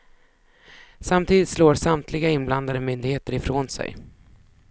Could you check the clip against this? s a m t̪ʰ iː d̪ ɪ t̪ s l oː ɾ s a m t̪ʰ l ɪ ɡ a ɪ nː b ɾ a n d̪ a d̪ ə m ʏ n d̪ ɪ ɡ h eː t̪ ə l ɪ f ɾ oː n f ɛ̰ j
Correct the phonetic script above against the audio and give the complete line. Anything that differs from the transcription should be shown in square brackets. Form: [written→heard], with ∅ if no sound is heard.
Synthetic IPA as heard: s a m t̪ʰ iː d̪ ɪ t̪ s l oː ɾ s a m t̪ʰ l ɪ ɡ a ɪ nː b [ɾ→l] a n d̪ a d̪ ə m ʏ n d̪ ɪ ɡ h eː t̪ ə [l→ɾ] ɪ f ɾ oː n [f→s] ɛ̰ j